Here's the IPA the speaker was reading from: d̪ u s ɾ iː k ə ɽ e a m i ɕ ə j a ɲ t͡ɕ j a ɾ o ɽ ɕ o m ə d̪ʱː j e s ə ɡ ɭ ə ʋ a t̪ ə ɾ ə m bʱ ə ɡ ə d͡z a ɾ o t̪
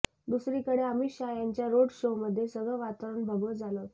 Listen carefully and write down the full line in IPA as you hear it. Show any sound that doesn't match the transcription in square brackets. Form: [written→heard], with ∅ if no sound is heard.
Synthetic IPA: d̪ u s ɾ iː k ə ɽ e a m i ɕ [ə→a] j a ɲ t͡ɕ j a ɾ o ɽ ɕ o m ə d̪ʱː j e s ə ɡ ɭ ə ʋ a t̪ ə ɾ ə [m→ɳ] bʱ ə ɡ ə d͡z a [ɾ→l] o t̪